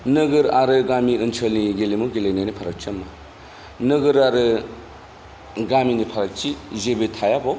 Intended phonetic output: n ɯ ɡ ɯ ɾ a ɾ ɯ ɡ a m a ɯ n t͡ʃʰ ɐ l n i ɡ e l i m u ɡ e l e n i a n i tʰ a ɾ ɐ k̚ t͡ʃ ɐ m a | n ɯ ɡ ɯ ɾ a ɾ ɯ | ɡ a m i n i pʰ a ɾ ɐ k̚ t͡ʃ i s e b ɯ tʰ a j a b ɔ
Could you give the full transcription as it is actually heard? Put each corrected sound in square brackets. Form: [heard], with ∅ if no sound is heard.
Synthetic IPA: n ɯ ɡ ɯ ɾ a ɾ ɯ ɡ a m [i] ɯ n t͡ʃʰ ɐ l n i ɡ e l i m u ɡ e l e n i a n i [pʰ] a ɾ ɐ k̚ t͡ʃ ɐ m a | n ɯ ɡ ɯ ɾ a ɾ ɯ | ɡ a m i n i pʰ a ɾ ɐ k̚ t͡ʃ i [z] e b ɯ tʰ a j a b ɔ